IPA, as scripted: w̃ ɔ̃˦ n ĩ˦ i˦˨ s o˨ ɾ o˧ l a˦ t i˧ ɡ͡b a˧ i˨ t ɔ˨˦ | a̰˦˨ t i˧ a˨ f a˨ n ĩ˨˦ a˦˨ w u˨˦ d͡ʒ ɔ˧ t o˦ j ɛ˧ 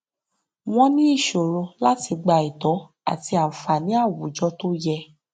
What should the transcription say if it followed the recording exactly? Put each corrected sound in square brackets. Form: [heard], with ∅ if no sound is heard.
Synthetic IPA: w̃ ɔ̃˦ n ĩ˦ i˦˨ [ʃ] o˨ ɾ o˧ l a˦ t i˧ ɡ͡b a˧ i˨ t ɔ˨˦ | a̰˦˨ t i˧ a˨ f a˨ n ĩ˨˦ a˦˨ w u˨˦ d͡ʒ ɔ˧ t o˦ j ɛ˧